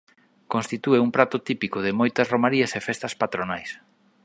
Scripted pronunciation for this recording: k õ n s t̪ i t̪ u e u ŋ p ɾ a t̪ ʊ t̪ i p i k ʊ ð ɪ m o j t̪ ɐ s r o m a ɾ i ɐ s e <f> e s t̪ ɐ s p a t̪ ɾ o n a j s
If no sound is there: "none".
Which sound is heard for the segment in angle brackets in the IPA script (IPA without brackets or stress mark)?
f